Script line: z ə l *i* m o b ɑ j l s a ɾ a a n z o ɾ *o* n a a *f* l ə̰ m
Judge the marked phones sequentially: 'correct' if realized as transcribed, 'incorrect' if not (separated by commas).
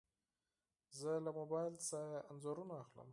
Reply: incorrect, incorrect, incorrect